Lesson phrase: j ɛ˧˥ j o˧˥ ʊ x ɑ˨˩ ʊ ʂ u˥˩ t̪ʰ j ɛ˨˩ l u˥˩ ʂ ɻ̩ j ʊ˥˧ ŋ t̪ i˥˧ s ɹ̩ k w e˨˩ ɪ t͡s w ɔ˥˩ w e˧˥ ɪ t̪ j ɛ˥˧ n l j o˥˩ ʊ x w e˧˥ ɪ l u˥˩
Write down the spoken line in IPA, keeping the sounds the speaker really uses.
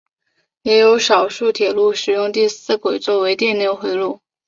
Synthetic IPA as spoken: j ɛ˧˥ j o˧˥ ʊ ʂ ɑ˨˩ ʊ ʂ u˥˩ t̪ʰ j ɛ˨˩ l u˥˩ ʂ ɻ̩ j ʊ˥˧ ŋ t̪ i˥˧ s ɹ̩ k w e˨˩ ɪ t͡s w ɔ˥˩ w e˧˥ ɪ t̪ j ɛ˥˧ n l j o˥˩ ʊ x w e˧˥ ɪ l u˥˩